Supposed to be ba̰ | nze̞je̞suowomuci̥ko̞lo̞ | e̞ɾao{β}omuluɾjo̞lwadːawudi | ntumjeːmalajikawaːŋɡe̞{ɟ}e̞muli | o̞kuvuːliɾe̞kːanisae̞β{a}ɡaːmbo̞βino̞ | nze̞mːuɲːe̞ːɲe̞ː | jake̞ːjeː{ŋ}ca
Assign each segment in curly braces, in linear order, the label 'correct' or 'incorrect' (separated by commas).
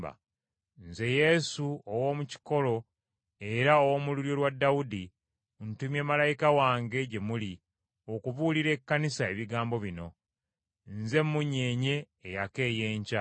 incorrect, correct, incorrect, incorrect